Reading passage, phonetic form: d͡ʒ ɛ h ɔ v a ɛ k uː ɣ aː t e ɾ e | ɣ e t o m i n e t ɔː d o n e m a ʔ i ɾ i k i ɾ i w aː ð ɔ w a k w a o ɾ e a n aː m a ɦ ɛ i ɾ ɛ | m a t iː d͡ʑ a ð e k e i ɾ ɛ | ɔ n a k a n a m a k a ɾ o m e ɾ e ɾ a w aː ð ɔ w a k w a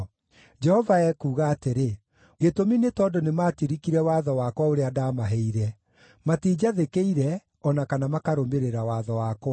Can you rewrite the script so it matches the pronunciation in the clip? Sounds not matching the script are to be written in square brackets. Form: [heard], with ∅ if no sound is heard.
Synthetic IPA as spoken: d͡ʒ ɛ h ɔ v a ɛ k uː ɣ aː t e ɾ e | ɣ e t o m i n e t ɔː d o n e m a [t] i ɾ i k i ɾ [ɛ] w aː ð ɔ w a k w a o ɾ e a [d] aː m a ɦ ɛ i ɾ ɛ | m a t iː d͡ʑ a ð e k e i ɾ ɛ | ɔ n a k a n a m a k a ɾ o m e ɾ e ɾ a w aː ð ɔ w a k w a